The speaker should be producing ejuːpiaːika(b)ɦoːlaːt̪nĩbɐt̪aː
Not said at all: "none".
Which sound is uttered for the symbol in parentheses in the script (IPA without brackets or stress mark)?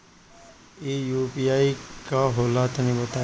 none